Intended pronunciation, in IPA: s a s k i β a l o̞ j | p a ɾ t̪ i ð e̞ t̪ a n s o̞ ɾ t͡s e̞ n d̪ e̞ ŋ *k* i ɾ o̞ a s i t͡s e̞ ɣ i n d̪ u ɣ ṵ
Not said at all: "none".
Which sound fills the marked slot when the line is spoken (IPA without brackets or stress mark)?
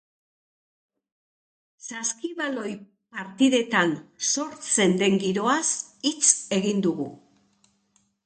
ɡ